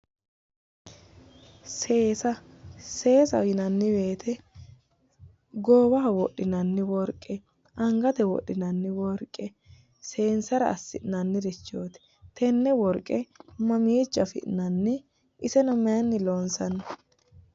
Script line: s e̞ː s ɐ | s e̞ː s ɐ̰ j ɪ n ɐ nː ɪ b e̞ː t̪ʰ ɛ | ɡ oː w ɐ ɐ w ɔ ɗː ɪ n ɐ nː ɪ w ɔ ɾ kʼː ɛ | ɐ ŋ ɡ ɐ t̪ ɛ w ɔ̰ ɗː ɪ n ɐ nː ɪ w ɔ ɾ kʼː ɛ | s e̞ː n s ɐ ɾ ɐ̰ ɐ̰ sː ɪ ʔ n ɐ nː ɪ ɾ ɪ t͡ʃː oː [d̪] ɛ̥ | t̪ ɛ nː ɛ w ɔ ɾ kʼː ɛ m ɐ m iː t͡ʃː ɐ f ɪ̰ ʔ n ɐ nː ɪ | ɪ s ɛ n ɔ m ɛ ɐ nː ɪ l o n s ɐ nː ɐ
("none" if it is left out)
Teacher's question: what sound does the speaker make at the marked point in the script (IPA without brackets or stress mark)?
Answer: t̪